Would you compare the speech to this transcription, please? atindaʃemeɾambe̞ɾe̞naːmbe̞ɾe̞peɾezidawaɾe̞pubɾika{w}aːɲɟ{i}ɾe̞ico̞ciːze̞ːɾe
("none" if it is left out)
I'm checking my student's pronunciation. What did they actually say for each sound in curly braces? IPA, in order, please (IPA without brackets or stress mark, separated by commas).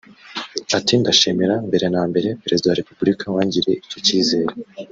w, i